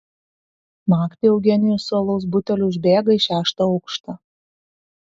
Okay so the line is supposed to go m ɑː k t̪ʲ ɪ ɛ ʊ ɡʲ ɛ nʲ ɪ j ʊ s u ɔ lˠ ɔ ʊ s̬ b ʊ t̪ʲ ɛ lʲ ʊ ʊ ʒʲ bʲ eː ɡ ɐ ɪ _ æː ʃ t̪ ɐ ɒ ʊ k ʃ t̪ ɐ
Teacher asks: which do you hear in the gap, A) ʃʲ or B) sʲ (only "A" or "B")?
A